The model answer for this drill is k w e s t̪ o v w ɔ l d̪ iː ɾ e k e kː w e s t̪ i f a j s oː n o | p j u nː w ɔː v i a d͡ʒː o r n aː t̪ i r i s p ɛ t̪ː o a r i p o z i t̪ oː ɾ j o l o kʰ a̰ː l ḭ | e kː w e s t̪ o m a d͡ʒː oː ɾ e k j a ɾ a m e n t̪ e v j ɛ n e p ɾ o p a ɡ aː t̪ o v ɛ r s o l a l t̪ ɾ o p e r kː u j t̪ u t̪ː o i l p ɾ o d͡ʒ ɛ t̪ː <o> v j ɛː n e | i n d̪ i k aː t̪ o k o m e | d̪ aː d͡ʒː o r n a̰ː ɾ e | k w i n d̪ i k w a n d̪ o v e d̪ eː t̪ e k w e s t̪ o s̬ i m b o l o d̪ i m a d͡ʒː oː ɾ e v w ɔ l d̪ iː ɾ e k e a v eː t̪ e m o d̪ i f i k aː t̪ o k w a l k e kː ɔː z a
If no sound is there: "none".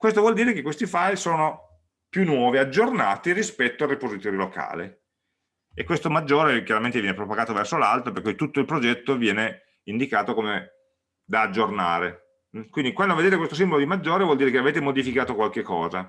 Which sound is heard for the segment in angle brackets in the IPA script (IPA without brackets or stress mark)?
o